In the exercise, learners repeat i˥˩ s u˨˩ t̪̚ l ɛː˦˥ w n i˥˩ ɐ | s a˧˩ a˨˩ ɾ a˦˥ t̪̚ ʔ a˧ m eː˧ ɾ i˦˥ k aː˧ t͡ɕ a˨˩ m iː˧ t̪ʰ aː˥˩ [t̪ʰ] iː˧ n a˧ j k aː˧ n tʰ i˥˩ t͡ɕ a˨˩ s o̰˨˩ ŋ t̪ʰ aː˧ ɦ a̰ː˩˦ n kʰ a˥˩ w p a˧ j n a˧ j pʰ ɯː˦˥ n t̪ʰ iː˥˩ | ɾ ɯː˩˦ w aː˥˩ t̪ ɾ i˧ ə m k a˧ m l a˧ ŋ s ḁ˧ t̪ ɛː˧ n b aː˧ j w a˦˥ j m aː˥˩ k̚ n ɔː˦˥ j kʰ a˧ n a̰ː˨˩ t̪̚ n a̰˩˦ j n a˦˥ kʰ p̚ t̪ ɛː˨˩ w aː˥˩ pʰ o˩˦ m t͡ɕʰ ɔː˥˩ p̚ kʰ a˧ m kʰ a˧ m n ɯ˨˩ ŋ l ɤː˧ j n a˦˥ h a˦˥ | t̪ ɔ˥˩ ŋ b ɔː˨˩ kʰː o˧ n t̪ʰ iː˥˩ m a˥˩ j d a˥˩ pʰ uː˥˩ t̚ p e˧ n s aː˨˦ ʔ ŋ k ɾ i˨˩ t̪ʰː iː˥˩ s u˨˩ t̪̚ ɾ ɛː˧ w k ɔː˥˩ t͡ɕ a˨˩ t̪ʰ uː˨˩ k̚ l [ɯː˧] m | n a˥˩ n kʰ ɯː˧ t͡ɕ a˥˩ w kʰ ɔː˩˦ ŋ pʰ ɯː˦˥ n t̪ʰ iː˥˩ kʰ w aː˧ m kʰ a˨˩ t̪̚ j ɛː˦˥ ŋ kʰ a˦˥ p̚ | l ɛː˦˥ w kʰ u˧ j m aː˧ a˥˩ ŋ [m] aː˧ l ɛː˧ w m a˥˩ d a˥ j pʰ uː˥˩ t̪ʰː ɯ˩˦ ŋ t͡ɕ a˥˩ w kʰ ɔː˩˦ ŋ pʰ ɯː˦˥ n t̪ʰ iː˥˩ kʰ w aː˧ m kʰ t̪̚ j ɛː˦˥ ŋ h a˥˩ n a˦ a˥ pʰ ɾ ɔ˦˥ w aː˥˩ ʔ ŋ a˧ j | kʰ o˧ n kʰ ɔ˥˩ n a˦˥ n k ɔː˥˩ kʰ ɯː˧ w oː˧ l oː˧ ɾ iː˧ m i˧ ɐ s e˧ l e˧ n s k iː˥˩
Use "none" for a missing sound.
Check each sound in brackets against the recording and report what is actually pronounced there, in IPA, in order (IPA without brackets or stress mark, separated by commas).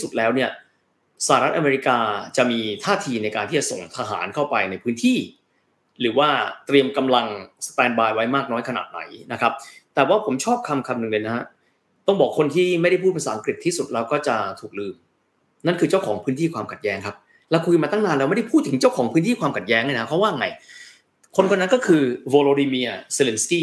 t̪ʰ, ɯː˧, n